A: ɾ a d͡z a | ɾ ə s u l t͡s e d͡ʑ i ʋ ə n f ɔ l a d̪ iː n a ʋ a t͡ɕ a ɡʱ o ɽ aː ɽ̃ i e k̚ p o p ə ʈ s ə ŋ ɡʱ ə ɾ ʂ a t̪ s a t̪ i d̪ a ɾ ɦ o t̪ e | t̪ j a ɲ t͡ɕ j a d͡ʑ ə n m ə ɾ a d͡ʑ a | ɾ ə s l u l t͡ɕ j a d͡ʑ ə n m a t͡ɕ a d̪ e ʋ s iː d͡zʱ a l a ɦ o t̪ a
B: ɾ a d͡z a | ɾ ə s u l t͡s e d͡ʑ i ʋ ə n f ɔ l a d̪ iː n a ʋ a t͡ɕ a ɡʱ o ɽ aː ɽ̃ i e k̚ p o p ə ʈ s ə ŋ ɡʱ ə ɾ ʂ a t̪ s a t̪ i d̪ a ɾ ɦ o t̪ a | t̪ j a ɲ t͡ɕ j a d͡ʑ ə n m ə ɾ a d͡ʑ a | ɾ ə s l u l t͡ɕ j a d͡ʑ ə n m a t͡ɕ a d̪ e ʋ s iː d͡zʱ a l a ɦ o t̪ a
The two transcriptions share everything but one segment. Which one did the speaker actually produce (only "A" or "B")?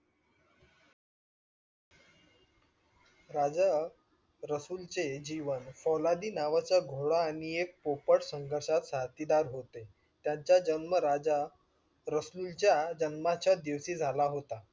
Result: A